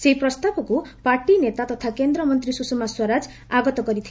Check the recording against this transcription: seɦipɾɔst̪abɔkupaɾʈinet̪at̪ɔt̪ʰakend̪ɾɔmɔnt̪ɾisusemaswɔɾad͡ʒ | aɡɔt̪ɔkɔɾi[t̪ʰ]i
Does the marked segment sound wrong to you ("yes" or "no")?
no